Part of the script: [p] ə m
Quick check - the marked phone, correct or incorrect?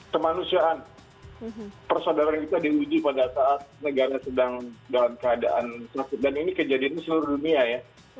incorrect